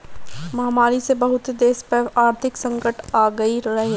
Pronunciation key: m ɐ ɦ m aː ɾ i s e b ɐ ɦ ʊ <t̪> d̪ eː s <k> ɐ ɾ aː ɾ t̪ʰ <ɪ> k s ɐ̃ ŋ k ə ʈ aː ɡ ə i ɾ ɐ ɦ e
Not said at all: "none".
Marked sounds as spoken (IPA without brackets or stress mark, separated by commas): t̪, p, ɪ